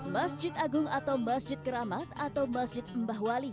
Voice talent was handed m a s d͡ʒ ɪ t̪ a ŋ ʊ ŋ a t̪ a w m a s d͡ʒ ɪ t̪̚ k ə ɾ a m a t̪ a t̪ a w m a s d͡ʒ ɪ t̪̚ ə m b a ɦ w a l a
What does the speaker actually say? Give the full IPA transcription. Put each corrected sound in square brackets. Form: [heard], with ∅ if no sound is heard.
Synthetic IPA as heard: m a s d͡ʒ ɪ t̪ a [ɡ] ʊ ŋ a t̪ a w m a s d͡ʒ ɪ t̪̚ k ə ɾ a m a t̪ a t̪ a w m a s d͡ʒ ɪ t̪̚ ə m b a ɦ w a l [i]

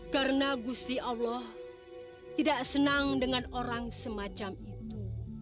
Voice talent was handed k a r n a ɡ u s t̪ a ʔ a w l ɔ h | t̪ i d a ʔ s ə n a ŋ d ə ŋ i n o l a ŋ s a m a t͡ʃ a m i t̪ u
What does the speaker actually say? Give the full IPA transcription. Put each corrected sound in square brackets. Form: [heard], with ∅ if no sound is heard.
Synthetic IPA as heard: k a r n a ɡ u s t̪ [i] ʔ a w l ɔ h | t̪ i d a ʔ s ə n a ŋ d ə ŋ [a] n o [ɾ] a ŋ s [ə] m a t͡ʃ a m i t̪ u

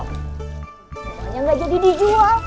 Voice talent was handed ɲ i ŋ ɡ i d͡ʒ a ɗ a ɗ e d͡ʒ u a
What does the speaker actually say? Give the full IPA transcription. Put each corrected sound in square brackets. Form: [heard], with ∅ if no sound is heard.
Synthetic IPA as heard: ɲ [a] ŋ ɡ [a] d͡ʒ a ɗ [i] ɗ [i] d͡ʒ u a

